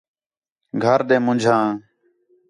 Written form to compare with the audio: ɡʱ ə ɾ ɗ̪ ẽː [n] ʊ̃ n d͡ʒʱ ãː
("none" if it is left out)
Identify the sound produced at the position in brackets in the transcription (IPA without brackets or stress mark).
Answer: m